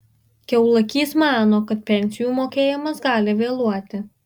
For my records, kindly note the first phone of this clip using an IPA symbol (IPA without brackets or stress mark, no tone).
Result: kʲ